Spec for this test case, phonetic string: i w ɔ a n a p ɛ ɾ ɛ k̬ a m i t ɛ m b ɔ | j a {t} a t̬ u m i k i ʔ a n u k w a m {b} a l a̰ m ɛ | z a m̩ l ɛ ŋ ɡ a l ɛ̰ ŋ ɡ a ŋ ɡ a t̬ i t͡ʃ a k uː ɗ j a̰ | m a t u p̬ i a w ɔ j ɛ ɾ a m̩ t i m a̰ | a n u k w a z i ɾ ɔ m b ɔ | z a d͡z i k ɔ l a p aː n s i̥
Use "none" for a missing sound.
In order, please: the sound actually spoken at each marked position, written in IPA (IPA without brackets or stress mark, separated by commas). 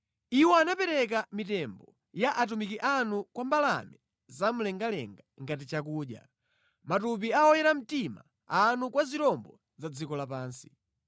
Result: ʔ, b